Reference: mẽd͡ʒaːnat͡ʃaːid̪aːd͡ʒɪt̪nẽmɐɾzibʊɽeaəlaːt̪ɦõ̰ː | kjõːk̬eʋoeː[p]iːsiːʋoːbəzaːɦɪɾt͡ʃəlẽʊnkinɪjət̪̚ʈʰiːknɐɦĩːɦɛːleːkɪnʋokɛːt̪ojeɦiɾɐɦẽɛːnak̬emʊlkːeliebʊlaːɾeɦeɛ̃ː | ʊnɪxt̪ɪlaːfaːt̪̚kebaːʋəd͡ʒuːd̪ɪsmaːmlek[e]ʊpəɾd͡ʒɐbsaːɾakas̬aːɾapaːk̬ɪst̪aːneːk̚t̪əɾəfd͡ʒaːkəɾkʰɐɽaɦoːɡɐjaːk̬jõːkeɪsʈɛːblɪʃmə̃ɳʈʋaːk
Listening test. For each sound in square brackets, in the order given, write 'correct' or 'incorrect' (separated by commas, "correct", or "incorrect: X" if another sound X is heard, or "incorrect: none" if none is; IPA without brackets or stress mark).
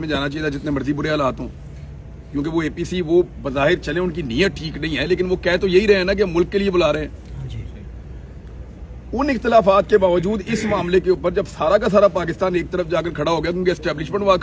correct, correct